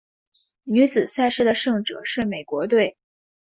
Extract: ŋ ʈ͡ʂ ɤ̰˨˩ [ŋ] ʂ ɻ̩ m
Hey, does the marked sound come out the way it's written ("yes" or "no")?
no